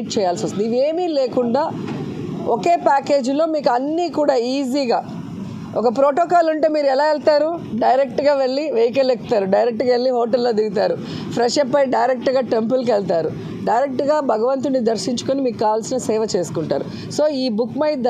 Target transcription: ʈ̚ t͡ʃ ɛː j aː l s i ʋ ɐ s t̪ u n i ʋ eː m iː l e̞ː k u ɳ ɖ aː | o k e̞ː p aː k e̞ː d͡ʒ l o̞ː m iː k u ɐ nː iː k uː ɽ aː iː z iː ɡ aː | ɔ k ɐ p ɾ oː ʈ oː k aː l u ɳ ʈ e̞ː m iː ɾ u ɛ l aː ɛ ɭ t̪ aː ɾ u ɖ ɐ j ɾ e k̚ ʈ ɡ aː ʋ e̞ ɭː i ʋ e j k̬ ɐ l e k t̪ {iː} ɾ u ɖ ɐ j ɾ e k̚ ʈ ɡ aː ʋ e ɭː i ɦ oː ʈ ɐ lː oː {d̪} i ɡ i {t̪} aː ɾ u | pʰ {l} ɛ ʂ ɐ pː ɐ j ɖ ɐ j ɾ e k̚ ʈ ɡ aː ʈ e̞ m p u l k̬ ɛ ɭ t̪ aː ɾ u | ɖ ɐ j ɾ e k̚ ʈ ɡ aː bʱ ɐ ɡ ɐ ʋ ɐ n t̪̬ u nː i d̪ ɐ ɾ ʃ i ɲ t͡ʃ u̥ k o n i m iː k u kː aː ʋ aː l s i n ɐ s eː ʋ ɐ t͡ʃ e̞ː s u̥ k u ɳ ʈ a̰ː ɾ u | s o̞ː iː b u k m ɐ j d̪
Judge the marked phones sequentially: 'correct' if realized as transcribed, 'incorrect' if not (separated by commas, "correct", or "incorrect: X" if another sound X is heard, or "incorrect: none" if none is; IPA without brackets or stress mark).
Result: incorrect: aː, correct, correct, incorrect: ɾ